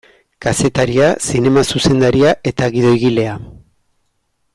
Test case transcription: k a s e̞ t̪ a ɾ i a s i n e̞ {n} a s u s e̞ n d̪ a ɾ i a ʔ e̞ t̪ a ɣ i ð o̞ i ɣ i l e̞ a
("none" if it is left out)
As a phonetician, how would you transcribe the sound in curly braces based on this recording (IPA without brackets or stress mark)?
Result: m